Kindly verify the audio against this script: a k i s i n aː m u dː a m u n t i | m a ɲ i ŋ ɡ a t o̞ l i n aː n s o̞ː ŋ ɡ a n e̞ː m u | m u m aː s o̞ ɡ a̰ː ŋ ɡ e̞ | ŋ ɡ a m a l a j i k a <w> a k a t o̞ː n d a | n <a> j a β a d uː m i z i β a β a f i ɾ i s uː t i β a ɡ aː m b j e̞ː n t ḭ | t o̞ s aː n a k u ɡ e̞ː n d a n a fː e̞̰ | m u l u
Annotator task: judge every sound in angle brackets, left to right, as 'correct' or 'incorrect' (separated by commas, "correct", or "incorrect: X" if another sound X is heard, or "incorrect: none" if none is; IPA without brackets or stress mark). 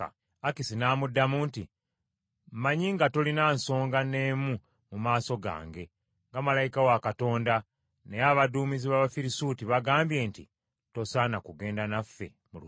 correct, incorrect: e